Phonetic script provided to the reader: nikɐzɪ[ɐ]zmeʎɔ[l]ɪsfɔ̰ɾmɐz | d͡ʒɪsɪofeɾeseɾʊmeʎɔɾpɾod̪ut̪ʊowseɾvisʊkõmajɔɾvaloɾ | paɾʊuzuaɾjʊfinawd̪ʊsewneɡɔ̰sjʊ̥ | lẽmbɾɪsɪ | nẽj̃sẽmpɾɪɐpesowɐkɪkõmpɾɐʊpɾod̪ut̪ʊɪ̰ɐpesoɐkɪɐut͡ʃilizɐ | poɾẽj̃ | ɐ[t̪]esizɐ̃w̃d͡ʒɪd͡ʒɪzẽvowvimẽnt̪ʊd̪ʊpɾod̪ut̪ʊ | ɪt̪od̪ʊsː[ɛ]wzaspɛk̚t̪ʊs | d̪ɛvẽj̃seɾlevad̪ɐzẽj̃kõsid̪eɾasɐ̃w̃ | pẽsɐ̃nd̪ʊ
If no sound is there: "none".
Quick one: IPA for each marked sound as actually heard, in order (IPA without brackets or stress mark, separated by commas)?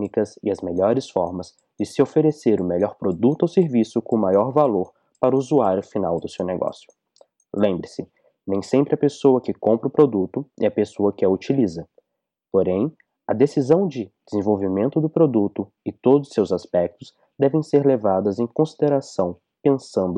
ɐ, ɾ, d̪, e